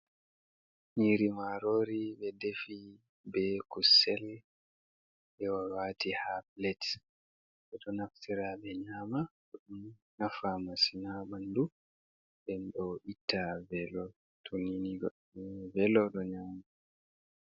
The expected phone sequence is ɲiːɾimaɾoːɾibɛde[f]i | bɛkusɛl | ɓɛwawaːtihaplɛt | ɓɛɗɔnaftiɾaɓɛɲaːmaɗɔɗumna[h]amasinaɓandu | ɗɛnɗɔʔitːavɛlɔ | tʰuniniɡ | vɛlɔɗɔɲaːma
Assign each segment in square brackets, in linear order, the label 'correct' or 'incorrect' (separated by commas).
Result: correct, incorrect